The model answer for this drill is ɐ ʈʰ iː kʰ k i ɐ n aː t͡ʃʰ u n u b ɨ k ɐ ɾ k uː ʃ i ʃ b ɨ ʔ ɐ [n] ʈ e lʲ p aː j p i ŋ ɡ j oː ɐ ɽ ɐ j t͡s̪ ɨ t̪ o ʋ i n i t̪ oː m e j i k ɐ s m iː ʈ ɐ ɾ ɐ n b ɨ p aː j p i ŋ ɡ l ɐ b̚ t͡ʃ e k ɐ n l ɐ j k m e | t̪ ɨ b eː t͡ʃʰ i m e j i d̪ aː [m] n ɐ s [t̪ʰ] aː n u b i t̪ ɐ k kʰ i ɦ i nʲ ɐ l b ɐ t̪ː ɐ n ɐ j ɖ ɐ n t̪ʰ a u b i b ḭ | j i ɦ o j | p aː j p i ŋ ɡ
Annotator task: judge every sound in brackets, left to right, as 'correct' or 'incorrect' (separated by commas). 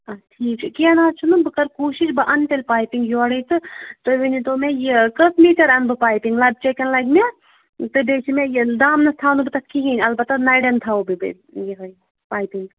correct, correct, correct